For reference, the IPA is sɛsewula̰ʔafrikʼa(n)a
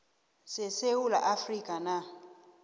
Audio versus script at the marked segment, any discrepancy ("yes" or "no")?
no